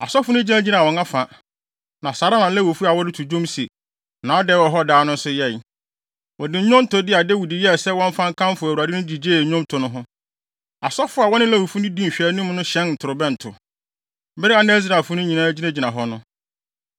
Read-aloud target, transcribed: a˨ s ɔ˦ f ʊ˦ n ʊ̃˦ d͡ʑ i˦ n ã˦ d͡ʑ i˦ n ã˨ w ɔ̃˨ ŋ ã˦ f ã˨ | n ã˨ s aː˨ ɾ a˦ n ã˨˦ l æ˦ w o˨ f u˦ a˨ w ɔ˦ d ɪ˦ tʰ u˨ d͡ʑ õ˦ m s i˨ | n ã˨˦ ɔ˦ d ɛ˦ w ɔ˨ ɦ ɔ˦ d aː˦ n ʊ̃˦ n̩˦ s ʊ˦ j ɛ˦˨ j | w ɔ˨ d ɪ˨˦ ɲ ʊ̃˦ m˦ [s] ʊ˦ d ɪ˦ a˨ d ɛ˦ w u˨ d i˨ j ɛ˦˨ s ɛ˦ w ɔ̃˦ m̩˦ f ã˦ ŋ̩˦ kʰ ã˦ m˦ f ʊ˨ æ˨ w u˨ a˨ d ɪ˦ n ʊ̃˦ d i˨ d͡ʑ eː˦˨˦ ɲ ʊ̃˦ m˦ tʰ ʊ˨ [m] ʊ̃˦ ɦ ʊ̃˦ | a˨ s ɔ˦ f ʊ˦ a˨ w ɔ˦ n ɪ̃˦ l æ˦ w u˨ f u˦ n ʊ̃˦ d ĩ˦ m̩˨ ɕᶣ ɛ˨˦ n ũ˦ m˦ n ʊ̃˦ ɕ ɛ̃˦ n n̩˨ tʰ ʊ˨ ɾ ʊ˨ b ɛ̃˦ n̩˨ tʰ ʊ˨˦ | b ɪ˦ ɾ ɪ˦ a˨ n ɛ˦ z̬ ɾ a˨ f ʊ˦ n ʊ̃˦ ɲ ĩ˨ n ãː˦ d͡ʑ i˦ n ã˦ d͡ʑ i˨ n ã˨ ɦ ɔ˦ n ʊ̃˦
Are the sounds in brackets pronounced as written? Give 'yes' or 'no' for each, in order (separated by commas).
no, no